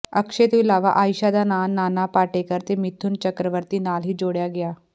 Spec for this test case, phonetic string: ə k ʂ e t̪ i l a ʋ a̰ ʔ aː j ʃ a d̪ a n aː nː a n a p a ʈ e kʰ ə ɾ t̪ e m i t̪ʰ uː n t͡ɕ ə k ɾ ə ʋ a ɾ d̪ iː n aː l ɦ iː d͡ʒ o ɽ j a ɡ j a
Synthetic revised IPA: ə k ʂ e t̪ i l a ʋ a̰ ʔ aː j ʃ a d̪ a n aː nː a n a p a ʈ e k ə ɾ t̪ e m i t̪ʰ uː n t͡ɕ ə k ɾ ə ʋ ə ɾ t̪ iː n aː l ɦ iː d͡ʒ o ɽ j a ɡ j a